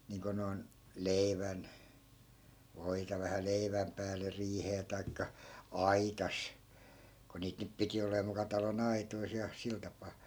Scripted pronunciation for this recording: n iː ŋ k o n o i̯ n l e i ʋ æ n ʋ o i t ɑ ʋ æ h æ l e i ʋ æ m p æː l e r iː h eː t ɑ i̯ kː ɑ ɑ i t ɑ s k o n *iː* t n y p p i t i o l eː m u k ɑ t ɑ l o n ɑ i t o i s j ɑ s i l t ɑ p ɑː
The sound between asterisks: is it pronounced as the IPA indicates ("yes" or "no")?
yes